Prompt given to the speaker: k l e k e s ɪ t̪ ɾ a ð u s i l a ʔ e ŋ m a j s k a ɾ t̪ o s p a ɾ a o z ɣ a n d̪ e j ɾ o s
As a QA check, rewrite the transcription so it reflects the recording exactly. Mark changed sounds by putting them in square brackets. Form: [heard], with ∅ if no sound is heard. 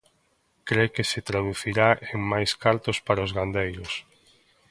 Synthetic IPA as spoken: k [ɾ] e k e s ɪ t̪ ɾ a ð u [θ] i [ɾ] a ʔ e ŋ m a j s k a ɾ t̪ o s p a ɾ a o z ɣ a n d̪ e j ɾ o s